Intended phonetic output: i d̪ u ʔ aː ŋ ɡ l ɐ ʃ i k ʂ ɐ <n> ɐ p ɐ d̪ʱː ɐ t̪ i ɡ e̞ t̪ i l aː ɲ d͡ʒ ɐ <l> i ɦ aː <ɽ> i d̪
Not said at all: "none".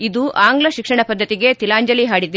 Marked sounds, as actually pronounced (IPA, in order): ɳ, l, ɽ

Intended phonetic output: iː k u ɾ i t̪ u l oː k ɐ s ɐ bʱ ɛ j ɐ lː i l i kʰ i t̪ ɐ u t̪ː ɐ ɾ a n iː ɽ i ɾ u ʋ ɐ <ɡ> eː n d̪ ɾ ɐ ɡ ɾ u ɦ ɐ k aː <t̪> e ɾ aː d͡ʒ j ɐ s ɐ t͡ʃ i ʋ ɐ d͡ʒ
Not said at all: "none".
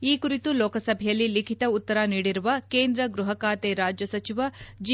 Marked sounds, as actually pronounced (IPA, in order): k, t̪

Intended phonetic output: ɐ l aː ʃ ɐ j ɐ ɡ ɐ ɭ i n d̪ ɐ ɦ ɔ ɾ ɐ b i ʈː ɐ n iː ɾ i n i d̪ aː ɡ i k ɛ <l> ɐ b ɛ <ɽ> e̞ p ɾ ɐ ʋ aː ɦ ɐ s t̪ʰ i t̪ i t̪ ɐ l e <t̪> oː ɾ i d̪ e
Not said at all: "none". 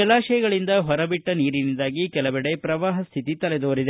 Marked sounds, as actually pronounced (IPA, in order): l, ɽ, d̪

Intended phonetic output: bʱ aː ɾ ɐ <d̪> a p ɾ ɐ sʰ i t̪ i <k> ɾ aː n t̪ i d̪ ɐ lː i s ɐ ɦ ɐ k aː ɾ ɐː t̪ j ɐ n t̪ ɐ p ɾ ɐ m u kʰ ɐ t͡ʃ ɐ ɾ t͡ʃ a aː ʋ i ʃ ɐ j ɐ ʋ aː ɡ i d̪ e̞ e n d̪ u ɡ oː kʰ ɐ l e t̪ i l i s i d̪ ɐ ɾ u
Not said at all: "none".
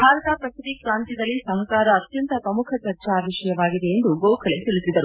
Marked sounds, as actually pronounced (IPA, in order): t̪, k

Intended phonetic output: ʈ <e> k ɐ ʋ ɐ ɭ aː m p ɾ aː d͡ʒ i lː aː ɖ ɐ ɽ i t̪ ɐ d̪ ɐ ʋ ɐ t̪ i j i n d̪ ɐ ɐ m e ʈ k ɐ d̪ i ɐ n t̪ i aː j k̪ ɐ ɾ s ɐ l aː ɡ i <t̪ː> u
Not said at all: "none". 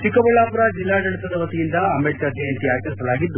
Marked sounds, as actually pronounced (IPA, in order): i, d̪ː

